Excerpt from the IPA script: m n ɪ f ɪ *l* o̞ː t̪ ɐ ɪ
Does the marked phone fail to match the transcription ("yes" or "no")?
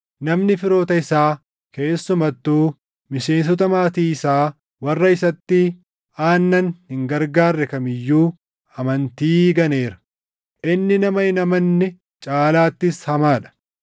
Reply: yes